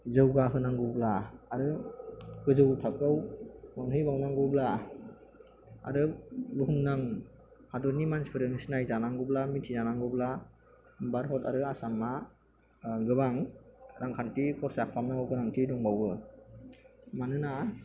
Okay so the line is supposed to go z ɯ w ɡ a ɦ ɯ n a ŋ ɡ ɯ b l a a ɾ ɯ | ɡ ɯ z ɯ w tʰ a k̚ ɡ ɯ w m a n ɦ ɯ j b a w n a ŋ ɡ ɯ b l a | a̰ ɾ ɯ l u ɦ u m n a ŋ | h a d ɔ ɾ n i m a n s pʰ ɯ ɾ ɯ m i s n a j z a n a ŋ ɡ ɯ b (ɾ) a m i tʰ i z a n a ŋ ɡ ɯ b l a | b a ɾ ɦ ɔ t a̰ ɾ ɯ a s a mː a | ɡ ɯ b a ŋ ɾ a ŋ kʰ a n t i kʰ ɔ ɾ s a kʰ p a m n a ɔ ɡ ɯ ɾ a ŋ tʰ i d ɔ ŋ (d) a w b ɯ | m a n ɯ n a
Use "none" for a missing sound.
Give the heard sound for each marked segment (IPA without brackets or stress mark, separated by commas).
l, b